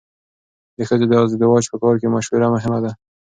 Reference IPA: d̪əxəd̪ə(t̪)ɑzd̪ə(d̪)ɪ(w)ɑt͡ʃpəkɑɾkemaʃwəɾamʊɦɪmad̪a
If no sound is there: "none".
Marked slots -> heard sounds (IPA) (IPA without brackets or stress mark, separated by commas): d̪, d̪, w